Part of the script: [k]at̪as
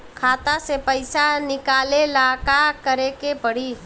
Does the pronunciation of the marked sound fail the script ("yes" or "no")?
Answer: yes